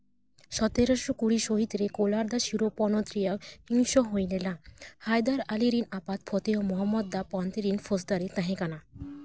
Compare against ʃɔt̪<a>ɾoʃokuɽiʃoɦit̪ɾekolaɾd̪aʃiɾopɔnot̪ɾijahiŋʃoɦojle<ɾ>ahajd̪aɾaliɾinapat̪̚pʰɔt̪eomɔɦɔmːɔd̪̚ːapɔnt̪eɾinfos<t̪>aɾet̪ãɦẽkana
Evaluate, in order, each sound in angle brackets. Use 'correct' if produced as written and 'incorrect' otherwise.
incorrect: e, incorrect: l, incorrect: d̪

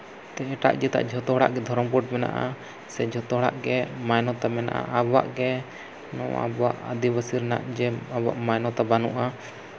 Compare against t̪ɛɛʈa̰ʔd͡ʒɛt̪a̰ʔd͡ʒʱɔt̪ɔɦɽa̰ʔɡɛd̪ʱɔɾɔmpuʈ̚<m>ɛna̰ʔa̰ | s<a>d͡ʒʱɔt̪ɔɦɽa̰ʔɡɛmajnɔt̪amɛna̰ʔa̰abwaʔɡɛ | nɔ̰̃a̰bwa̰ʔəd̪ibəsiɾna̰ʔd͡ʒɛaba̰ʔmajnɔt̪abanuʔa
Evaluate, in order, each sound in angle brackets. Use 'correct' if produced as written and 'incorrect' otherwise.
correct, incorrect: ɛ

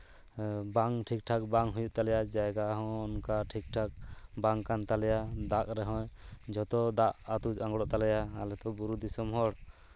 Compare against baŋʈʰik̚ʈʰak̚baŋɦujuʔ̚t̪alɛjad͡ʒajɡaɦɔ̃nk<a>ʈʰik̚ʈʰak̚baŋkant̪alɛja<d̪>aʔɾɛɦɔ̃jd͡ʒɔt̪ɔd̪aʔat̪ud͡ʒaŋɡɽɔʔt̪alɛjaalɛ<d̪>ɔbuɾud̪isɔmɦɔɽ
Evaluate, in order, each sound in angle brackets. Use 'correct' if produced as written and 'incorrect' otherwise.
correct, correct, incorrect: t̪

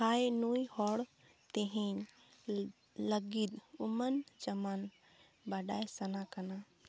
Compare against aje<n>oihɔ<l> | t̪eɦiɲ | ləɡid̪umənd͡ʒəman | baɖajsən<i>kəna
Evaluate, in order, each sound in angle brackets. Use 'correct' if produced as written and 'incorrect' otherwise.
correct, incorrect: ɽ, incorrect: a

